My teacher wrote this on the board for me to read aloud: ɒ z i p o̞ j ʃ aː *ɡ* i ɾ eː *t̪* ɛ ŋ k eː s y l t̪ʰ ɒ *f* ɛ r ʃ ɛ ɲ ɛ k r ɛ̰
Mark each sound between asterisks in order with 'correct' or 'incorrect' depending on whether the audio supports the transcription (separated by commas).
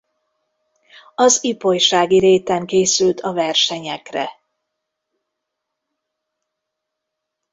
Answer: correct, correct, incorrect